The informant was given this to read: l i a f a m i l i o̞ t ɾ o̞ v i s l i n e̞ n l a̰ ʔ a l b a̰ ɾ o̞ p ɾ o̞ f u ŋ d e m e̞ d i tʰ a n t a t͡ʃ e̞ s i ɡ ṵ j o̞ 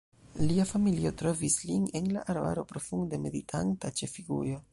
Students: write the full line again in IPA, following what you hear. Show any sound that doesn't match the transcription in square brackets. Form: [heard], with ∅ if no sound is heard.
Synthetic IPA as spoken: l i a f a m i l i o̞ t ɾ o̞ v i s l i n e̞ n l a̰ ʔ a [ɾ] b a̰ ɾ o̞ p ɾ o̞ f u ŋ d e m e̞ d i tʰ a n t a t͡ʃ e̞ [f] i ɡ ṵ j o̞